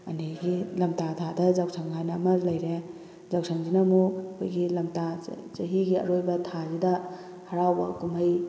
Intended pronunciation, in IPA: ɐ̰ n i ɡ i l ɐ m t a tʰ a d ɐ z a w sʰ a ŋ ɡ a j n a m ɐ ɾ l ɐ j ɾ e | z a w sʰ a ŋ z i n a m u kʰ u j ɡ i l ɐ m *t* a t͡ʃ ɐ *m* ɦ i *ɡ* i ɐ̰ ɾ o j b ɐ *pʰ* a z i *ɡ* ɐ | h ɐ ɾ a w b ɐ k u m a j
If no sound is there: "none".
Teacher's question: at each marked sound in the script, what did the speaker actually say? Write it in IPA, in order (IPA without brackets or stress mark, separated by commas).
t, none, ɡ, tʰ, d